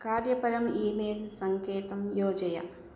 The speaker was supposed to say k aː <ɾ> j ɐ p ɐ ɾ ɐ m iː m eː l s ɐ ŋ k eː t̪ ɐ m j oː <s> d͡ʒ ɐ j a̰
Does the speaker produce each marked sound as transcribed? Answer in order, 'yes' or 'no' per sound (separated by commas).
yes, no